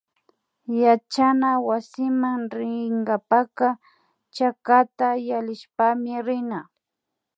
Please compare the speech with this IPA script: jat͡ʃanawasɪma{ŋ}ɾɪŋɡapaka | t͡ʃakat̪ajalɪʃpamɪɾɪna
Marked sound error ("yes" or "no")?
no